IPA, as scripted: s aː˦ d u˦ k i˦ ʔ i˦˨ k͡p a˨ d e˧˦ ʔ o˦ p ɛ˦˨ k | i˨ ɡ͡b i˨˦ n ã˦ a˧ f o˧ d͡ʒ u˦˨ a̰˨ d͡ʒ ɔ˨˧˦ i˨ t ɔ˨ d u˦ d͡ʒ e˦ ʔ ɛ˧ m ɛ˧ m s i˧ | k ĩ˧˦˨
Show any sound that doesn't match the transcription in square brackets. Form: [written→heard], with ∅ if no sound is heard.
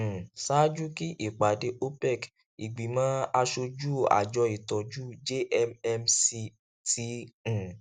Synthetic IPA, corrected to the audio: s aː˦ [d→d͡ʒ] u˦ k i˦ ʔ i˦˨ k͡p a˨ d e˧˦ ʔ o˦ p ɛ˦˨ k | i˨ ɡ͡b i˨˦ [n→m] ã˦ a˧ [f→ʃ] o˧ d͡ʒ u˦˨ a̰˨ d͡ʒ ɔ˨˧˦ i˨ t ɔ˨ [d→d͡ʒ] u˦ d͡ʒ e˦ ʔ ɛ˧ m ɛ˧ m s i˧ | [k→t] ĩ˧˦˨